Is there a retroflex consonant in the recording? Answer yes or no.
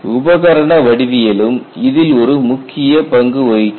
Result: yes